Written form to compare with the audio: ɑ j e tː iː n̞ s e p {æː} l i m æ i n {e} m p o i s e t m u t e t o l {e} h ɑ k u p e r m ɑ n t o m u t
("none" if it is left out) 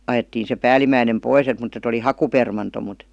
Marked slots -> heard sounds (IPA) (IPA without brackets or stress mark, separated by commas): æː, e, i